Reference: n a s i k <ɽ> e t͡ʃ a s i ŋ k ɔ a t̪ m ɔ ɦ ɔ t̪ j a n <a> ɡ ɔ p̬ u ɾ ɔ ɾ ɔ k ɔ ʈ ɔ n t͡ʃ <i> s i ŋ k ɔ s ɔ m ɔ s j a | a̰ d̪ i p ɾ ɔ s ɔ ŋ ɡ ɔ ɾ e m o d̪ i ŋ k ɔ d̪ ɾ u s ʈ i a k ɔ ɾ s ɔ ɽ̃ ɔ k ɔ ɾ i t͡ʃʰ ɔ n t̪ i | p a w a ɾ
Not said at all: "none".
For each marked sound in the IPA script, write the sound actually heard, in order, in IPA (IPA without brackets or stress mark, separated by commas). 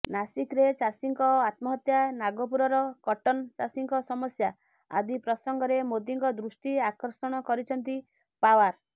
ɾ, a, a